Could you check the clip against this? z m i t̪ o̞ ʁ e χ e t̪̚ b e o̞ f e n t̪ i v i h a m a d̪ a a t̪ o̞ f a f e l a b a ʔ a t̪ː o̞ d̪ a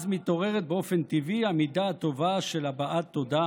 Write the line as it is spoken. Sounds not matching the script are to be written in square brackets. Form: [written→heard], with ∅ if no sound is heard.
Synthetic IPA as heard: z m i t̪ o̞ ʁ e [χ→ʁ] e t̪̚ b e o̞ f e n t̪ i v i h a m [a→i] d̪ a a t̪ o̞ [f→v] a [f→ʃ] e l a b a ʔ a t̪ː o̞ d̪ a

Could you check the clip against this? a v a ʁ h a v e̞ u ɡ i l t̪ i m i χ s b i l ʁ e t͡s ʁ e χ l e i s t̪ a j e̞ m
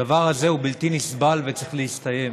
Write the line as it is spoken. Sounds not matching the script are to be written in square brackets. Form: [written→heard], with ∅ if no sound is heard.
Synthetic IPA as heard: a v a ʁ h a [v→z] e̞ u [ɡ→b] i l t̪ i [m→n] i [χ→∅] s b [i→a] l [ʁ→v] e t͡s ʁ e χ l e i s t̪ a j e̞ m

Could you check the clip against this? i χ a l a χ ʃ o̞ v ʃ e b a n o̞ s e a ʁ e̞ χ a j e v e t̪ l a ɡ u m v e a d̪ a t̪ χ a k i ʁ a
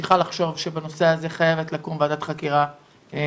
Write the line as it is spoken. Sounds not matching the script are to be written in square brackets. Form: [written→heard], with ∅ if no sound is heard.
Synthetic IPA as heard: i χ a l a χ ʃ o̞ v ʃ e b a n o̞ s e a [ʁ→z] e̞ χ a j e v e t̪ l a [ɡ→k] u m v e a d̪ a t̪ χ a k i ʁ a

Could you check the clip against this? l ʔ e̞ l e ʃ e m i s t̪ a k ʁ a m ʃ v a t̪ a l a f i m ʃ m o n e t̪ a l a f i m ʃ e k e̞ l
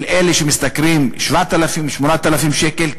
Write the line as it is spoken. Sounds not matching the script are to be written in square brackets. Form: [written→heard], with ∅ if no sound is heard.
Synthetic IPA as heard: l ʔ e̞ l e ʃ e m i s t̪ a k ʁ [a→i] m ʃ v a t̪ a l a f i m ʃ m o n [e→a] t̪ a l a f i m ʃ e k e̞ l

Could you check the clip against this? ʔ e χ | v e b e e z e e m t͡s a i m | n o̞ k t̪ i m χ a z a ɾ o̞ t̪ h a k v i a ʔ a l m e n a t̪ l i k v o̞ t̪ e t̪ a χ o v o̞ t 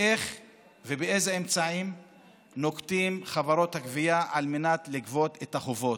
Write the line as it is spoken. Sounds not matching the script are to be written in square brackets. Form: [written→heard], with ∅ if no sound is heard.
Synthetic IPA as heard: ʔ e χ | v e b e e z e e m t͡s a i m | n o̞ k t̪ i m χ a [z→v] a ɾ o̞ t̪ h a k v i a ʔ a l m e n a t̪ l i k v o̞ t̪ e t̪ a χ o v o̞ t

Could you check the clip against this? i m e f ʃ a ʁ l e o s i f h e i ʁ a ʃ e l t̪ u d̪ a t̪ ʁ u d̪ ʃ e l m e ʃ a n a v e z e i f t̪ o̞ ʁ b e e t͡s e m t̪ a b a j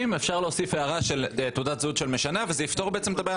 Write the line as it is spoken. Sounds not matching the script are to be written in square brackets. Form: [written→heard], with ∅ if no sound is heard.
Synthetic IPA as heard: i m e f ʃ a ʁ l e o s i f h e [i→a] ʁ a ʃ e l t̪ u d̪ a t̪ [ʁ→z] u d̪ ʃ e l m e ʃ a n a v e z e i f t̪ o̞ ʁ b e e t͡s e m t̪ a b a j

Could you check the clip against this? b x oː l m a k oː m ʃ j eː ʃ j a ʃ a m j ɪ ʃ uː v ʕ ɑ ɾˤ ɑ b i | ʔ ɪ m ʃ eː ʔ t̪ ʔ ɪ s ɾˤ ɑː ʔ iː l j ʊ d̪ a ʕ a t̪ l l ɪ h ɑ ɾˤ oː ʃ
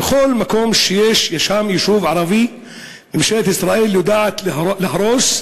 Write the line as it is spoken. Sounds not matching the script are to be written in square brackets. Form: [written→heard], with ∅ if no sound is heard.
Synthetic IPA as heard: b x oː l m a k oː m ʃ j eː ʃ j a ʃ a m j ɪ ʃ uː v ʕ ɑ ɾˤ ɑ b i | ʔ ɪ m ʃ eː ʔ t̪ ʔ ɪ s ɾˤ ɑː ʔ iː l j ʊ d̪ a ʕ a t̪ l l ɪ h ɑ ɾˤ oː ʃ

